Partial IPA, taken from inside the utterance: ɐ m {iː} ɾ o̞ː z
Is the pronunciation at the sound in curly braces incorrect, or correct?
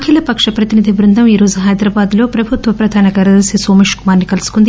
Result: correct